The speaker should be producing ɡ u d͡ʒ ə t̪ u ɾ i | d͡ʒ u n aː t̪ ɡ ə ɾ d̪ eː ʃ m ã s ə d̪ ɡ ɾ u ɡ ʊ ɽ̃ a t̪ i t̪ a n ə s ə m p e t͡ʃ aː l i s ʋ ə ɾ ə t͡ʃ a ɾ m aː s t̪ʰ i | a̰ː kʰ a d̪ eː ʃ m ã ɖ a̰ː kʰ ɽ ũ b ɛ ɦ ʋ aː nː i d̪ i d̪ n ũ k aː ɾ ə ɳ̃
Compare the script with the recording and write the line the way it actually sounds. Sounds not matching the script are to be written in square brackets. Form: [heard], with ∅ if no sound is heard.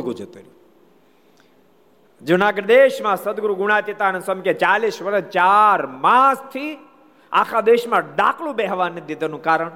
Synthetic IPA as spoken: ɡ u d͡ʒ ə t̪ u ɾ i | d͡ʒ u n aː [∅] ɡ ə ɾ d̪ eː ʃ m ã s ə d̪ ɡ ɾ u ɡ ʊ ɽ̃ a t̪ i t̪ a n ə s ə m [k] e t͡ʃ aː l i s ʋ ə ɾ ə t͡ʃ a ɾ m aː s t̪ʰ i | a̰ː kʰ a d̪ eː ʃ m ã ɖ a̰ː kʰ [l] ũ b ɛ ɦ ʋ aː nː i d̪ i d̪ n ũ k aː ɾ ə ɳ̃